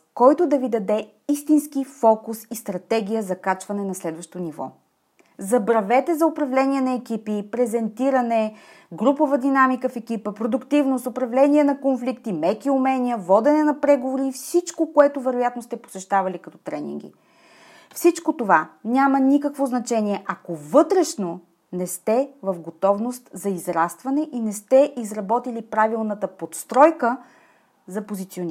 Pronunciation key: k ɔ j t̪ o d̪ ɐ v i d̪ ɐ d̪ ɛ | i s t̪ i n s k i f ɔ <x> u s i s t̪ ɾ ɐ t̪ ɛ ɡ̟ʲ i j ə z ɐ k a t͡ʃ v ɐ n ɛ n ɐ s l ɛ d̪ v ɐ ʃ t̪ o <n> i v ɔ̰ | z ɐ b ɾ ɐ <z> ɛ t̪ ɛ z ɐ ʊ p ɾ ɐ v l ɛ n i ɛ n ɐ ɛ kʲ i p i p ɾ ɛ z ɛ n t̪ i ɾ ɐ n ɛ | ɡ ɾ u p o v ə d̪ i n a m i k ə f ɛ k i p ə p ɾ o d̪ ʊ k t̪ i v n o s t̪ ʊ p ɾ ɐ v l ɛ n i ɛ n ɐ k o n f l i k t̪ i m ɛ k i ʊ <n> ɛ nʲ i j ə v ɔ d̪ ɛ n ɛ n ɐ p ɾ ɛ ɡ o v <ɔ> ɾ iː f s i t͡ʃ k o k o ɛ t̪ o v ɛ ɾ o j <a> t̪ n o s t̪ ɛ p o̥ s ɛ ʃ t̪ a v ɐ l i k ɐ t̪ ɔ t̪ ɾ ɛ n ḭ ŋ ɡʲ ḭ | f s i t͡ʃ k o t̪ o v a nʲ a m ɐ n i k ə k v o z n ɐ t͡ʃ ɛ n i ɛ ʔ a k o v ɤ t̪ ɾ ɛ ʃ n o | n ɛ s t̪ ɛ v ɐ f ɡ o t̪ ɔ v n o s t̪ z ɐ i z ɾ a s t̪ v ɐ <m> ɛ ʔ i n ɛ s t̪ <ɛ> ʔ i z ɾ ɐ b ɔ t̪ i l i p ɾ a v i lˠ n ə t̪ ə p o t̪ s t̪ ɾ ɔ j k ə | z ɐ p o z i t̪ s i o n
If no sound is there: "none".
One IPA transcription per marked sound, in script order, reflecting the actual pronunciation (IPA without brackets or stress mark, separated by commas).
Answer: k, n, v, m, o, a, n, ɛ